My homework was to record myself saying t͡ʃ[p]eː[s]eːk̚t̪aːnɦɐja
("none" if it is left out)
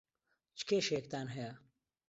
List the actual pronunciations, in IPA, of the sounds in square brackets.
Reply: k, ʃ

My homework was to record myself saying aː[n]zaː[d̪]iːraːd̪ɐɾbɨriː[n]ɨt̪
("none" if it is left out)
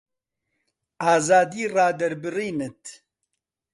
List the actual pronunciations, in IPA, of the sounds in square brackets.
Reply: none, d̪, n

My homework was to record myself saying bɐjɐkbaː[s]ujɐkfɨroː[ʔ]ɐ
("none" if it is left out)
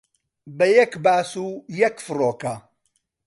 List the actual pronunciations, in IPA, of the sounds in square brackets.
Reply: s, k

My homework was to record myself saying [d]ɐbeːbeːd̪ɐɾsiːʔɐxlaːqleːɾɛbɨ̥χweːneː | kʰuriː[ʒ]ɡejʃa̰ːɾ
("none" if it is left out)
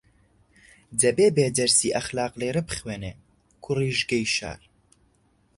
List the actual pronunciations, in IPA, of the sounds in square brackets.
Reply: d, ʒ

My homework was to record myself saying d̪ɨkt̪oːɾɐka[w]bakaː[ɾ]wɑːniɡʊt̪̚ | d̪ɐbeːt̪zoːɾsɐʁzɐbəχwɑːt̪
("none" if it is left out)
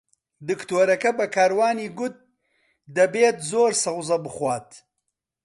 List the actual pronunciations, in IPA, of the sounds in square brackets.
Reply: none, ɾ

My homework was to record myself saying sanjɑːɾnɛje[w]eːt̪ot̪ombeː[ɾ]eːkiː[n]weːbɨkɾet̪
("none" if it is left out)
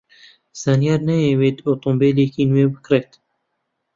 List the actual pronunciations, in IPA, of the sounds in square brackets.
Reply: w, l, n

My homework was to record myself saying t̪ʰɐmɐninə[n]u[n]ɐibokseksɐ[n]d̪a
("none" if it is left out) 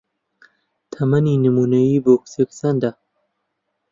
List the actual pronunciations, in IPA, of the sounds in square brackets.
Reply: m, n, n

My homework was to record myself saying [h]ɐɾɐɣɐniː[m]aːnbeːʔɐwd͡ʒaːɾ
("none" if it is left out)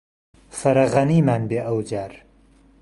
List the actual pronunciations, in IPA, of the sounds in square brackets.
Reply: f, m

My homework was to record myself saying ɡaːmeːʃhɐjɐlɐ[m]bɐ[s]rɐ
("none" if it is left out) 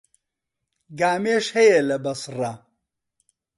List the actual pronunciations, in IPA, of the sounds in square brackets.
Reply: none, s

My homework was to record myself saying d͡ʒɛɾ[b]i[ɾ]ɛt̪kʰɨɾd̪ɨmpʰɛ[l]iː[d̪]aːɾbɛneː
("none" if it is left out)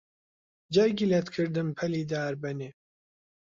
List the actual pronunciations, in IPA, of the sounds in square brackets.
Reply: ɡ, l, l, d̪

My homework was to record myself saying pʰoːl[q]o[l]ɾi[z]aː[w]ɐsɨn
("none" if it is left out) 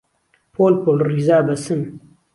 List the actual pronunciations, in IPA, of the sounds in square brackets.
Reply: p, l, z, b

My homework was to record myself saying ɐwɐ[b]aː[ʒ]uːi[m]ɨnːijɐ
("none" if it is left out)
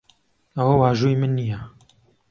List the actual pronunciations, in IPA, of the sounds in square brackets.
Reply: w, ʒ, m

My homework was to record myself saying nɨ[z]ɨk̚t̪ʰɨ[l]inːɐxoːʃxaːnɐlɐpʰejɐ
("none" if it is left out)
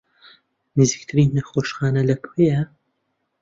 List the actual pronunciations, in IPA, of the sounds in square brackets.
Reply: z, ɾ

